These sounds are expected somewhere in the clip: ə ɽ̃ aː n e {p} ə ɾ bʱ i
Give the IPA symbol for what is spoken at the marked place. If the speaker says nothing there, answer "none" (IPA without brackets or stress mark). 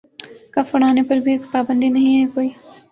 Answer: p